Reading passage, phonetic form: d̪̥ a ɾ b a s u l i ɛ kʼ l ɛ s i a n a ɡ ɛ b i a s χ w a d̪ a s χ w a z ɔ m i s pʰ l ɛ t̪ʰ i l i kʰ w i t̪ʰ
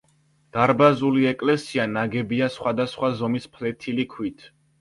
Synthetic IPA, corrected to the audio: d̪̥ a ɾ b a z u l i ɛ kʼ l ɛ s i a n a ɡ ɛ b i a s χ w a d̪ a s χ w a z ɔ m i s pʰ l ɛ t̪ʰ i l i kʰ w i t̪ʰ